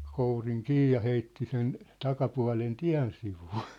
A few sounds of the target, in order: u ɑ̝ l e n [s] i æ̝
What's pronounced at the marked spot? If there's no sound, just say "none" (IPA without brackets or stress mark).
t